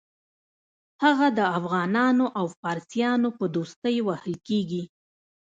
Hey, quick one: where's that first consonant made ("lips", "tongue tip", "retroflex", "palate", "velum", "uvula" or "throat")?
throat